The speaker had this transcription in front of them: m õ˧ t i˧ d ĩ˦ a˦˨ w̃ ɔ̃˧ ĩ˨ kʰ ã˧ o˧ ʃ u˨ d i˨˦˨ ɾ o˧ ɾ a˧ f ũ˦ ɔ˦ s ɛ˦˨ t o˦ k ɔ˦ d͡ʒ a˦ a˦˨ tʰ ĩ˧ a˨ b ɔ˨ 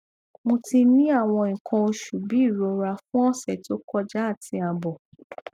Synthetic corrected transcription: m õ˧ t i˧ n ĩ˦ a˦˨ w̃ ɔ̃˧ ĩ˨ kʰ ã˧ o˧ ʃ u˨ b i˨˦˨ ɾ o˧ ɾ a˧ f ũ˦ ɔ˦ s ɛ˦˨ t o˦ k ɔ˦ d͡ʒ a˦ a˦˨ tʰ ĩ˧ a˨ b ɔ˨